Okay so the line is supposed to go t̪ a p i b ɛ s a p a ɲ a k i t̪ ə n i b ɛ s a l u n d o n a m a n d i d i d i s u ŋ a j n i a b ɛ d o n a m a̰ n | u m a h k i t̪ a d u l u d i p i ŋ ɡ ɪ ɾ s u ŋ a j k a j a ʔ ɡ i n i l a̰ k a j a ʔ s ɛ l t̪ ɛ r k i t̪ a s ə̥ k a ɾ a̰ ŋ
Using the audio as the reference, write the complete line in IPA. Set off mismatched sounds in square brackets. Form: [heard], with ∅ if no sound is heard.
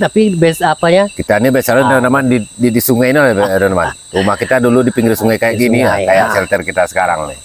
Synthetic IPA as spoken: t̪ a p i b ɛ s a p a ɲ a k i t̪ [a] n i b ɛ s a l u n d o n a m a n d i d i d i s u ŋ a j n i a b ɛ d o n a m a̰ n | u m a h k i t̪ a d u l u d i p i ŋ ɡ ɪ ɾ s u ŋ a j k a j a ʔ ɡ i n i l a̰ k a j a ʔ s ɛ l t̪ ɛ r k i t̪ a s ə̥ k a ɾ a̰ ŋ